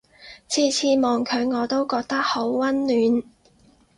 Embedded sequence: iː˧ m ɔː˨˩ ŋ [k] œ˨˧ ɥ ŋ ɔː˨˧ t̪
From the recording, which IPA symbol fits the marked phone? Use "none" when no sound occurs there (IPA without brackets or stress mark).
kʰ